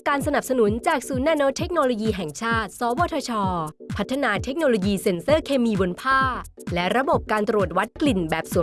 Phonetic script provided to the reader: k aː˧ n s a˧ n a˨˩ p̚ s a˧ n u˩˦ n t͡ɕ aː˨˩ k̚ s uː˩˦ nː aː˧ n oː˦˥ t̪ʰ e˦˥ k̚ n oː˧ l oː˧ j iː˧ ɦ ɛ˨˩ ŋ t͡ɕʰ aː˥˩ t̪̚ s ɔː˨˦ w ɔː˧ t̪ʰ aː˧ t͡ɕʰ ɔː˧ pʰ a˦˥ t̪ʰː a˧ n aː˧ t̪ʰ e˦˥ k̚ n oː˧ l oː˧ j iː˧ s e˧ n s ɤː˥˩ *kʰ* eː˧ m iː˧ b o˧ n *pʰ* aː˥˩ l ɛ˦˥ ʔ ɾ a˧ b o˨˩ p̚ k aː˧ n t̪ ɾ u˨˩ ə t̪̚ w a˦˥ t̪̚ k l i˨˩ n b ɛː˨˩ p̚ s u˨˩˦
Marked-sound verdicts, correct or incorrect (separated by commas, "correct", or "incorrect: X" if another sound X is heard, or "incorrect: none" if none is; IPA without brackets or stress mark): correct, correct